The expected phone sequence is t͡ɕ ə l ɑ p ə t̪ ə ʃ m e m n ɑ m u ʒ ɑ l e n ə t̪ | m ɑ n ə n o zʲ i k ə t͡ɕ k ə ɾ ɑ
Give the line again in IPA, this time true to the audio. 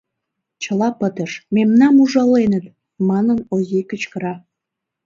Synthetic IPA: t͡ɕ ə l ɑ p ə t̪ ə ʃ m e m n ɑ m u ʒ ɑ l e n ə t̪ | m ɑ n ə n o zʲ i k ə t͡ɕ k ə ɾ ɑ